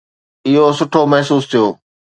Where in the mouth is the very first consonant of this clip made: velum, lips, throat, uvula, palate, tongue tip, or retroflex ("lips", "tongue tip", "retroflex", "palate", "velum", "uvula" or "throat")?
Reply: throat